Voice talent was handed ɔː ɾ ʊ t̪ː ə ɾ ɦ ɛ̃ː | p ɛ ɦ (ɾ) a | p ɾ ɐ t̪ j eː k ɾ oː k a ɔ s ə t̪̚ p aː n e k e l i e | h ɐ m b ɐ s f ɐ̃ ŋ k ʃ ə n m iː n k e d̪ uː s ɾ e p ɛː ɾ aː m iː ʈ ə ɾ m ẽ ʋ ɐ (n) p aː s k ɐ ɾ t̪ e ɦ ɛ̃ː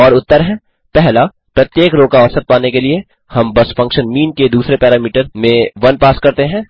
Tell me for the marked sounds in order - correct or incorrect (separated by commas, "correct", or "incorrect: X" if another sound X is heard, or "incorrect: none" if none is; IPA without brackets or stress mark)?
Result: incorrect: l, correct